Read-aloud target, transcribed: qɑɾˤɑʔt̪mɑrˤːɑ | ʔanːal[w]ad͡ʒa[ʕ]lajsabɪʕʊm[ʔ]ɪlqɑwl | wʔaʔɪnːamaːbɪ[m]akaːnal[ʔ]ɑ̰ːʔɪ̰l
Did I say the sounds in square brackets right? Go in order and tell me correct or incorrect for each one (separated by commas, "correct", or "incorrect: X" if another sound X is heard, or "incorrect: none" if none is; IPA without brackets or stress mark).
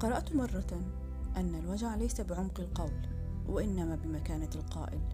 correct, correct, incorrect: q, correct, incorrect: q